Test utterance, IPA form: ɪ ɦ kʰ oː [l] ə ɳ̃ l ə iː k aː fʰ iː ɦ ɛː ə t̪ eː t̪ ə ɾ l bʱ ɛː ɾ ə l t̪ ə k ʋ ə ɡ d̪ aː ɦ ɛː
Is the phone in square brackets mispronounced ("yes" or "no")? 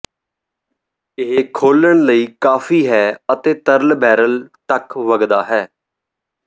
no